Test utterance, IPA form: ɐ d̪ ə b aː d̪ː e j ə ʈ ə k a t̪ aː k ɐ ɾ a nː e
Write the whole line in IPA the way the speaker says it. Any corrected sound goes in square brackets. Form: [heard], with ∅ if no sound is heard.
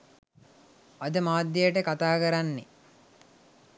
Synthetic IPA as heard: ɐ d̪ ə [m] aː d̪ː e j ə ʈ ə k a t̪ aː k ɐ ɾ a nː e